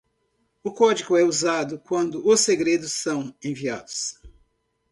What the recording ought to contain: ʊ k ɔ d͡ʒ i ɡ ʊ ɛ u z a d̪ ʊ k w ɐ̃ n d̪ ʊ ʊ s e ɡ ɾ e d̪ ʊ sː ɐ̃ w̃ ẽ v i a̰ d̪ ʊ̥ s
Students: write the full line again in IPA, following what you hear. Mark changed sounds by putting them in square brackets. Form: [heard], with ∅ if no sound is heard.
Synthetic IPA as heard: ʊ k ɔ d͡ʒ i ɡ ʊ ɛ u z a d̪ ʊ k w ɐ̃ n d̪ ʊ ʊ s e ɡ ɾ e d̪ ʊ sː ɐ̃ w̃ ẽ v i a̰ d̪ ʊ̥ s